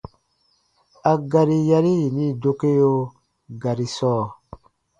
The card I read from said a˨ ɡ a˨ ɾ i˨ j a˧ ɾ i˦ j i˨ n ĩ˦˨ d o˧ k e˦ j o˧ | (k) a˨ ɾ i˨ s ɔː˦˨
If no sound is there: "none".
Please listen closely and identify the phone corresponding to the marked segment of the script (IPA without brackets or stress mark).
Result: ɡ